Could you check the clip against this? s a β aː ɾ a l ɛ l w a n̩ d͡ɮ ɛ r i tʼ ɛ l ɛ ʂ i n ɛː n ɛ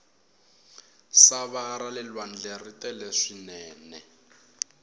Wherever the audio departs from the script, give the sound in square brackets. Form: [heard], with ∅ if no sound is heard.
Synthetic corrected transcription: s a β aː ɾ a l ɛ l w a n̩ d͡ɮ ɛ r i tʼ ɛ l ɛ ʂ i n ɛː n ɛ